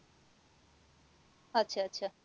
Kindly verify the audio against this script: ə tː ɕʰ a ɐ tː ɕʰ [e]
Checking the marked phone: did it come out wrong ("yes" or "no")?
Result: yes